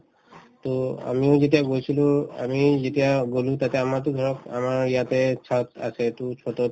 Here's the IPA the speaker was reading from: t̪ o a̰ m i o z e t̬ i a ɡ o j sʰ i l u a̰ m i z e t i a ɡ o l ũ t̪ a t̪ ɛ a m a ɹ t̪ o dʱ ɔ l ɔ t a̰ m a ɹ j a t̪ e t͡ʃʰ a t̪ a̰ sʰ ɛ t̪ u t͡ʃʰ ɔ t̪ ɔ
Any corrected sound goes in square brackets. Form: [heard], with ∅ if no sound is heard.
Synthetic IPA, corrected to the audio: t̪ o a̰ m i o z e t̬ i a ɡ o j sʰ i l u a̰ m i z e t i a ɡ o l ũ t̪ a t̪ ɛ a m a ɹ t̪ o [ɡʱ] ɔ [ɹ] ɔ [k] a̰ m a ɹ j a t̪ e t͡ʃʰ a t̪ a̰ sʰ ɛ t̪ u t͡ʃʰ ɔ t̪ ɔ